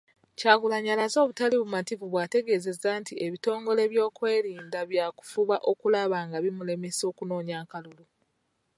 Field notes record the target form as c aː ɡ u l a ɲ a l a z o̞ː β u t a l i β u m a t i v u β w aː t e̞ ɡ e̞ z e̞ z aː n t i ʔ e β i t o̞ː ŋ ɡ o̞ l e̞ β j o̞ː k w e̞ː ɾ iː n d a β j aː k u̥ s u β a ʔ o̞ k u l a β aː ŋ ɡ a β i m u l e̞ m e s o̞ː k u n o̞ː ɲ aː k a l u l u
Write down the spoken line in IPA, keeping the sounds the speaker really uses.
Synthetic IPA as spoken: c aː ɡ u l a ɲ a l a z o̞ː β u t a l i β u m a t i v u β w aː t e̞ ɡ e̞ z e̞ z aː n t i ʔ e β i t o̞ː ŋ ɡ o̞ l e̞ β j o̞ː k w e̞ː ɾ iː n d a β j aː k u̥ f u β a ʔ o̞ k u l a β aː ŋ ɡ a β i m u l e̞ m e s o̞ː k u n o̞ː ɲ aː k a l u l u

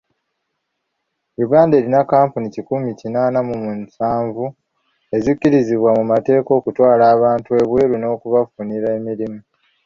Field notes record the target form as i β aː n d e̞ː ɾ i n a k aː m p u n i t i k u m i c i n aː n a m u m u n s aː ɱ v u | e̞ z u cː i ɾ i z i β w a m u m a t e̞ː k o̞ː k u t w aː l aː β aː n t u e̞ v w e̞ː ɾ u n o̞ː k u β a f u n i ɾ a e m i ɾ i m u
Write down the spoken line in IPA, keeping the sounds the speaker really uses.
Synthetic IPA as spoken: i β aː n d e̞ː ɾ i n a k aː m p u n i c i k u m i c i n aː n a m u m u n s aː ɱ v u | e̞ z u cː i ɾ i z i β w a m u m a t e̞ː k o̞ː k u t w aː l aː β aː n t u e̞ β w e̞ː ɾ u n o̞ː k u β a f u n i ɾ a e m i ɾ i m u

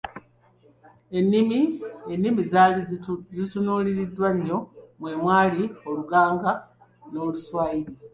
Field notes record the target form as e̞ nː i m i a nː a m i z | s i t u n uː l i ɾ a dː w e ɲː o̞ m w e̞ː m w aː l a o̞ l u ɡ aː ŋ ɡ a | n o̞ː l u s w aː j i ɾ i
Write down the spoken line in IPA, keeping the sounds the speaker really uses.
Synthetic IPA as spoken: e̞ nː i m i e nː i m i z | z i t u n uː l i ɾ i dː w a ɲː o̞ m w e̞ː m w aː l i o̞ l u ɡ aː ŋ ɡ a | n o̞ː l u s w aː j i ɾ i

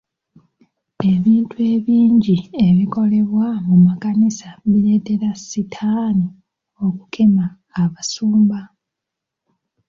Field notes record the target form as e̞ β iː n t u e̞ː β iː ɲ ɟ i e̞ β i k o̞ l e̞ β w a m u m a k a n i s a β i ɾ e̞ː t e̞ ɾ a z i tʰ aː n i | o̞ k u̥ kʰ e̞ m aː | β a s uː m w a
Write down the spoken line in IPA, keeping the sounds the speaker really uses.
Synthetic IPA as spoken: e̞ β iː n t u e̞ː β iː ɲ ɟ i e̞ β i k o̞ l e̞ β w a m u m a k a n i s a β i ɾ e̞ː t e̞ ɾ a s i tʰ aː n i | o̞ k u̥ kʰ e̞ m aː | β a s uː m b a

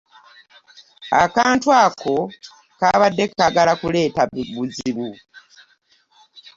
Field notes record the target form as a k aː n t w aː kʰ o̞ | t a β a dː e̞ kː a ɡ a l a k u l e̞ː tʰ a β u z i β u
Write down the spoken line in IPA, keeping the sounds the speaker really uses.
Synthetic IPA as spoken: a k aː n t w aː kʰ o̞ | k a β a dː e̞ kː a ɡ a l a k u l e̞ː t a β u z i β u

